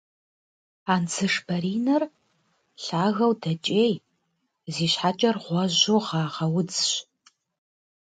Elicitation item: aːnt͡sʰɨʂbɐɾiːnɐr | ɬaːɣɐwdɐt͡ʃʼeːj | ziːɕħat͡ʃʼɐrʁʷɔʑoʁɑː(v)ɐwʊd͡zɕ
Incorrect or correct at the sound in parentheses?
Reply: incorrect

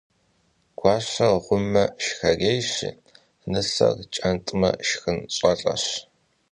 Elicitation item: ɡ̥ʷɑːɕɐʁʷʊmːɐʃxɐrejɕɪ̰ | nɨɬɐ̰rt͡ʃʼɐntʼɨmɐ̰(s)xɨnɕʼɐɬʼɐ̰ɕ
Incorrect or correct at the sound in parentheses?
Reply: incorrect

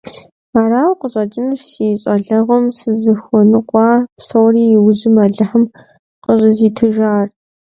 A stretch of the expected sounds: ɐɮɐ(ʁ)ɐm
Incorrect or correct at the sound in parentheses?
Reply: correct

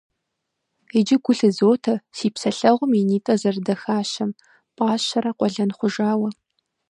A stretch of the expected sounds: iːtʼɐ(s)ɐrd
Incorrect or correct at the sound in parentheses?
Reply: incorrect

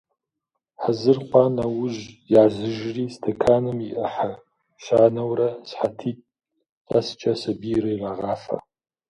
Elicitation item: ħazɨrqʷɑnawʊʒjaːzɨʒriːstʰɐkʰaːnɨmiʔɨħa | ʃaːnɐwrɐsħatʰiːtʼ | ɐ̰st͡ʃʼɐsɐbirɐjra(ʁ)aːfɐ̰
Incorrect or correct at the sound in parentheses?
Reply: correct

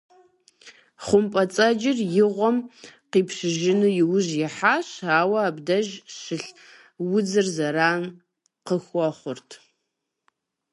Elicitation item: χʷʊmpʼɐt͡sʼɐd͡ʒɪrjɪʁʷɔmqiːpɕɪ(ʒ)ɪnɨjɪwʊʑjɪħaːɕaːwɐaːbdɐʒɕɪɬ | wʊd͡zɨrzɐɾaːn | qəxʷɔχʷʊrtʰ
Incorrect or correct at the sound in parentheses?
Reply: correct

